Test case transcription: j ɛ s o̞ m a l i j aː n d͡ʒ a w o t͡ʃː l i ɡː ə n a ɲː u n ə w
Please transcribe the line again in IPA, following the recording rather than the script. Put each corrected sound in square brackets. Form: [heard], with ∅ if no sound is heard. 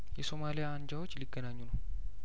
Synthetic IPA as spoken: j ɛ s o̞ m a l i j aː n d͡ʒ a w o t͡ʃː l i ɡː ə n a ɲː u n ə w